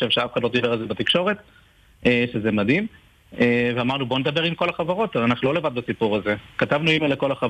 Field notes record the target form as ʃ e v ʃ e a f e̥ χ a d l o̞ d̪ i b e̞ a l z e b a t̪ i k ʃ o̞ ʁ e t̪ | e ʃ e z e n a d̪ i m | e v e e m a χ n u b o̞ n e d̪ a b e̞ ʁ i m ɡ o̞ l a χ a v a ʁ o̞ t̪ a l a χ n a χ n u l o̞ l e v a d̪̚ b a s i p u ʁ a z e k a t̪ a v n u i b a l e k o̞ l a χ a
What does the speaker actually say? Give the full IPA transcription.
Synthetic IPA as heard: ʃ e v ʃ e a f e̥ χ a d l o̞ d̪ i b e̞ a l z e b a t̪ i k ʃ o̞ ʁ e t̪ | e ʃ e z e m a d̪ i m | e v e a m a ʁ n u b o̞ n e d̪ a b e̞ ʁ i m k o̞ l a χ a v a ʁ o̞ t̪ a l a n a χ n u l o̞ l e v a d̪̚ b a s i p u ʁ a z e k a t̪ a v n u i m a l e k o̞ l a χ a